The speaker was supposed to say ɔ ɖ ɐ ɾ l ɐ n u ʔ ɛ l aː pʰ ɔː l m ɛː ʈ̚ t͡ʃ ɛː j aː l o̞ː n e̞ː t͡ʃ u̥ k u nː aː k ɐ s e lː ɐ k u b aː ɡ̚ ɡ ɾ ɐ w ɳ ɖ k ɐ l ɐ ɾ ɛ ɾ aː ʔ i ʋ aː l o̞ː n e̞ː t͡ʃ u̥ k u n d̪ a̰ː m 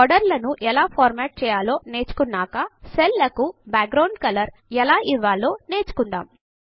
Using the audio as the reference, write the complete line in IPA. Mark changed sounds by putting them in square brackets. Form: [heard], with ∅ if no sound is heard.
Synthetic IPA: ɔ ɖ ɐ ɾ l ɐ n u ʔ ɛ l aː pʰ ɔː [ɾ] m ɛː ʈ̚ t͡ʃ ɛː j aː l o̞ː n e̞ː t͡ʃ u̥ k u nː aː k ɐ s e lː ɐ k u b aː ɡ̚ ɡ ɾ ɐ w ɳ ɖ k ɐ l ɐ ɾ ɛ [l] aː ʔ i [ʋː] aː l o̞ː n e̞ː t͡ʃ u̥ k u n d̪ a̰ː m